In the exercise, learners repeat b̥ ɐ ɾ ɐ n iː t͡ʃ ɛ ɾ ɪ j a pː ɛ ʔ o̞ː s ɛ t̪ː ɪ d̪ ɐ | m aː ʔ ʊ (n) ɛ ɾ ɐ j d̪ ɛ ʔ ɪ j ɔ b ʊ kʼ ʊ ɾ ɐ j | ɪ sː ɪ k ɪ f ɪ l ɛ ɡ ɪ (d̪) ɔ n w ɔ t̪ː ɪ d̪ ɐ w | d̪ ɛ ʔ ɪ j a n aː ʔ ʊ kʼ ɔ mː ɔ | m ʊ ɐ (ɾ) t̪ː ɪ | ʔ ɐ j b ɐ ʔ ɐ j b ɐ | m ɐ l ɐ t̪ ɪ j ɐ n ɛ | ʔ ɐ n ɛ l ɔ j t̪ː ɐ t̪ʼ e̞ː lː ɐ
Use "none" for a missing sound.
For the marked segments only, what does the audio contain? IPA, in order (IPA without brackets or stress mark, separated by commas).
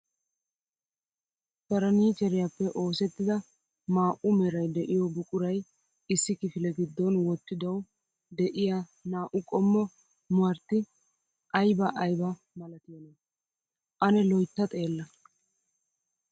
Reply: m, d̪ː, ɾ